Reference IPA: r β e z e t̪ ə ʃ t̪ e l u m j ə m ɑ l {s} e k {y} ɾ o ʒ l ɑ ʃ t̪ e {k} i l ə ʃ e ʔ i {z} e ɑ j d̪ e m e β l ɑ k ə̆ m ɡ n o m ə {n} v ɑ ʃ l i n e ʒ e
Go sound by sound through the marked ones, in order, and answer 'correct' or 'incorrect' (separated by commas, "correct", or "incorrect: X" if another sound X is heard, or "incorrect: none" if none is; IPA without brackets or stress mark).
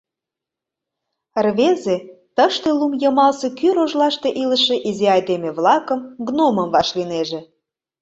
correct, correct, incorrect: ʔ, correct, incorrect: m